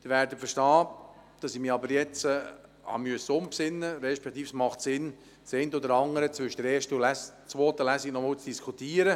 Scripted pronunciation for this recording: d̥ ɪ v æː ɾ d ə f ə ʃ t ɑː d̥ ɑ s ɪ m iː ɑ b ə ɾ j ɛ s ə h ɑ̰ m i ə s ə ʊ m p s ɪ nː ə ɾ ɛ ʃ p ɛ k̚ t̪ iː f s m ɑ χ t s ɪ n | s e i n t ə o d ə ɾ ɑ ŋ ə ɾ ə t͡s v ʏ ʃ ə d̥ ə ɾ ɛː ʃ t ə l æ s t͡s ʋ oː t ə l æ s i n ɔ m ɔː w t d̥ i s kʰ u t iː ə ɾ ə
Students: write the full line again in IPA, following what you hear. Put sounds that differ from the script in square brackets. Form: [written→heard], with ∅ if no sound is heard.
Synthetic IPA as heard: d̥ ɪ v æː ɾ d ə f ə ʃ t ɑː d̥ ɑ s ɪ m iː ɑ b ə ɾ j ɛ [s→t͡s] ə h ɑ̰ m [i→y] ə s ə ʊ m p s ɪ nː ə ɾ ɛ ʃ p ɛ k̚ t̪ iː f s m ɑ χ t s ɪ n | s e [i→ɪ] n t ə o d ə ɾ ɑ ŋ ə ɾ ə t͡s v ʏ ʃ ə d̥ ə ɾ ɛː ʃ t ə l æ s t͡s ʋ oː t ə l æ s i n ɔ m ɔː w [t→t͡s] d̥ i s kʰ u t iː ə ɾ ə